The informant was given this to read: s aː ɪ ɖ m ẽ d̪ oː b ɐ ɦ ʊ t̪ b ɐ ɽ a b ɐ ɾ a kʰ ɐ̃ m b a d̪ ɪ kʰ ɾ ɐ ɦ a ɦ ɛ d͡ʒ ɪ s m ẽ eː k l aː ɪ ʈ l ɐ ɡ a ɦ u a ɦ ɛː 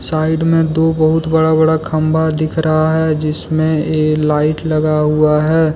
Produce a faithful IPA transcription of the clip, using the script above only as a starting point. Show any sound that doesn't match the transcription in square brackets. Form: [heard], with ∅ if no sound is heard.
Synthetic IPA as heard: s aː ɪ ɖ m ẽ d̪ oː b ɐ ɦ ʊ t̪ b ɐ ɽ a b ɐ [ɽ] a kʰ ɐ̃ m b a d̪ ɪ kʰ ɾ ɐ ɦ a ɦ ɛ d͡ʒ ɪ s m ẽ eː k l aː ɪ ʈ l ɐ ɡ a ɦ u a ɦ ɛː